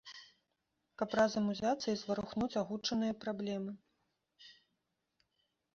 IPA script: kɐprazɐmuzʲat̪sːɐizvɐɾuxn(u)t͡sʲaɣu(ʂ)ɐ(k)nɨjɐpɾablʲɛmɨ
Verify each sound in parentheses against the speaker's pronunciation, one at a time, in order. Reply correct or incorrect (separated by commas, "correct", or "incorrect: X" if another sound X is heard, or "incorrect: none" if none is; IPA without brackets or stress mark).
correct, incorrect: t͡ʂ, incorrect: none